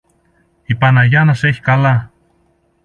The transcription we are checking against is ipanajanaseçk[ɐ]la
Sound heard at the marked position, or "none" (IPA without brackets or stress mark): a